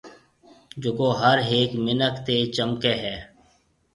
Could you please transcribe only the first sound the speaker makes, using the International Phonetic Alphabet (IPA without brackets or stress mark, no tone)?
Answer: d͡ʒ